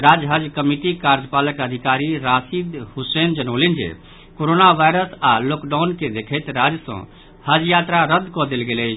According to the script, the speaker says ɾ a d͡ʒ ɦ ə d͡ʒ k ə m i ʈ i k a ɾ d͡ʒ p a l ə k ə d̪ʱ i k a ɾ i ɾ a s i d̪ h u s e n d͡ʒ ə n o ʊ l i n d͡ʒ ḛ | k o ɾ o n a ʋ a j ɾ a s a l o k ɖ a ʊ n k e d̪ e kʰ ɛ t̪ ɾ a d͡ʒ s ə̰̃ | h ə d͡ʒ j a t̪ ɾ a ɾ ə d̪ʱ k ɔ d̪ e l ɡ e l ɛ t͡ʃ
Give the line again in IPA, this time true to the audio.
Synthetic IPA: ɾ a d͡ʒ ɦ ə d͡ʒ k ə m i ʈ i k a ɾ d͡ʒ p a l ə k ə d̪ʱ i k a ɾ i ɾ a s i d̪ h u s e n d͡ʒ ə n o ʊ l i n d͡ʒ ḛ | k o ɾ o n a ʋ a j ɾ ə s a l o k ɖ a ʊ n k e d̪ e kʰ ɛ t̪ ɾ a d͡ʒ s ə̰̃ | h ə d͡ʒ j a t̪ ɾ a ɾ ə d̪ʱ k ɔ d̪ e l ɡ e l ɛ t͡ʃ